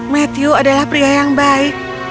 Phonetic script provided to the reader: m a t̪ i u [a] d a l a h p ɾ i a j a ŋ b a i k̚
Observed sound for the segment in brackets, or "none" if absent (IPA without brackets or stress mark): a